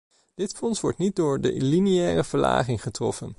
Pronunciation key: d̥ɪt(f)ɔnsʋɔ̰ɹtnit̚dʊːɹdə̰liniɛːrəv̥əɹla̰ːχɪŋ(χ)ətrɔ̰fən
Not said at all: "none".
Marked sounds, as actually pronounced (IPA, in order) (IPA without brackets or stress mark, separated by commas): f, χ